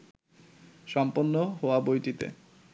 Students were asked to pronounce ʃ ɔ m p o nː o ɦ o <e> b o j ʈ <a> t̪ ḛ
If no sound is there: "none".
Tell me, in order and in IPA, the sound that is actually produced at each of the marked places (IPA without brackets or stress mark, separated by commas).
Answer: a, i